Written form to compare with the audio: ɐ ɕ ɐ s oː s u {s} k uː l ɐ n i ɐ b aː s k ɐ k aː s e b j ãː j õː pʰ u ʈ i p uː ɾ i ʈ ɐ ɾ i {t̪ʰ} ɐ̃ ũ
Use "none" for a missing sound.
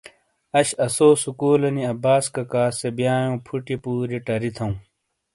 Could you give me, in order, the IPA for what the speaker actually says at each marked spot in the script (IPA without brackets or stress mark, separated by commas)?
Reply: none, t̪ʰ